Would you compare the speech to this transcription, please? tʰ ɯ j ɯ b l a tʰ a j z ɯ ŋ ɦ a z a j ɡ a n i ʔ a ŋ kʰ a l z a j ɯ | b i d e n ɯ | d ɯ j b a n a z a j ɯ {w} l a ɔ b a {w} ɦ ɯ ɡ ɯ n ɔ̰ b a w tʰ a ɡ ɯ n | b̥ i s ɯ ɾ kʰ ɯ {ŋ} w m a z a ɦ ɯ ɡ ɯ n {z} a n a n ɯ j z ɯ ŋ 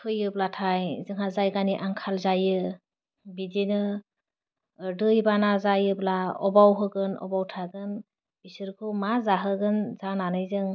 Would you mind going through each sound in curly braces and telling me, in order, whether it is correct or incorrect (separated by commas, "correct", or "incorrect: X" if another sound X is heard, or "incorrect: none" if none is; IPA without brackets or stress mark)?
incorrect: b, correct, incorrect: none, correct